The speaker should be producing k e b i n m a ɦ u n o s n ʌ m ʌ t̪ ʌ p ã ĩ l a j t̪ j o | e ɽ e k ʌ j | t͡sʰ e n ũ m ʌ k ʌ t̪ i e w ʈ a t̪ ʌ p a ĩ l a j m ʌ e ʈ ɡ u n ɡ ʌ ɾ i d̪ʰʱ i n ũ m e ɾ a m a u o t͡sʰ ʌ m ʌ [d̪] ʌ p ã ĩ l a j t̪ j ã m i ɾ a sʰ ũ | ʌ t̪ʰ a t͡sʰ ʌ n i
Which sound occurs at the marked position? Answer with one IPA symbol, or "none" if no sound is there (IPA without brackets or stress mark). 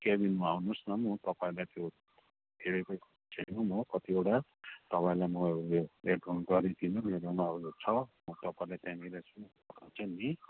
t̪